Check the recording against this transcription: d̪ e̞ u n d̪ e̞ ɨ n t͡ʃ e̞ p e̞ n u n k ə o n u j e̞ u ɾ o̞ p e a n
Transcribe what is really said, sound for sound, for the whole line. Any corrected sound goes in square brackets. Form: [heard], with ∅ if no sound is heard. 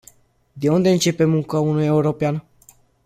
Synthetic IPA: d̪ e̞ u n d̪ e̞ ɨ n t͡ʃ e̞ p e̞ [m] u [ŋ] k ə [u] n u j e̞ u ɾ o̞ p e a n